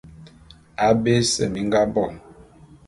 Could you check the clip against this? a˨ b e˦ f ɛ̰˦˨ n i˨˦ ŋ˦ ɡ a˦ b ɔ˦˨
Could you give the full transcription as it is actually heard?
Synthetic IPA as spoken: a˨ b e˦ s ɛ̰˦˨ m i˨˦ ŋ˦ ɡ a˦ b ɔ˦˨